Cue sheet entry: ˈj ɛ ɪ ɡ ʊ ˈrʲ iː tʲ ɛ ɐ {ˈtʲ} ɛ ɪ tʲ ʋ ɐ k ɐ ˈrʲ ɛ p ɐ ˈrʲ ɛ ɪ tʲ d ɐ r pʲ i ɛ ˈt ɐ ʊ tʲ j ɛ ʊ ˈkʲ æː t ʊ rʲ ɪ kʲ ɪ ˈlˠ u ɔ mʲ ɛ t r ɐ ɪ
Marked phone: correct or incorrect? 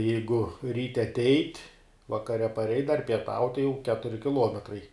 correct